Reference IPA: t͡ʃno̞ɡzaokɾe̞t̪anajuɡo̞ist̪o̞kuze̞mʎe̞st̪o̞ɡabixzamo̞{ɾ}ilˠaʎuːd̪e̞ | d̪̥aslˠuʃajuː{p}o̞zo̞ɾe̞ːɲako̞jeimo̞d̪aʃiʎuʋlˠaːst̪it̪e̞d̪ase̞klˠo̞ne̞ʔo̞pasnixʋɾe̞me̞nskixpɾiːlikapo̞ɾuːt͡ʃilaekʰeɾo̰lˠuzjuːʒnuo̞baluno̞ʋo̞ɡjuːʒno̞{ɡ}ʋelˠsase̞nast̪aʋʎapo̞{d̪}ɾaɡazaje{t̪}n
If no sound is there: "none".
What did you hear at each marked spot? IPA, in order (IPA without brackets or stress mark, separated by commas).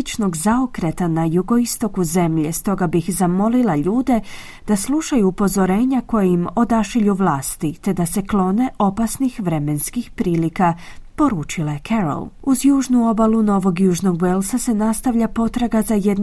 l, p, ɡ, t̪, d̪